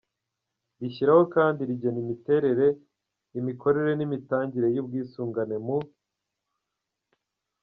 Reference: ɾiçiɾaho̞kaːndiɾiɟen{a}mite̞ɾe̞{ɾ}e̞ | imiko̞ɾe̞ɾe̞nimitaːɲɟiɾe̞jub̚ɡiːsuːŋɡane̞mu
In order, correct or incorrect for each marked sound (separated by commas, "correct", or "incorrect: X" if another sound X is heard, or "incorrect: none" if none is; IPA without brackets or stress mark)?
incorrect: i, correct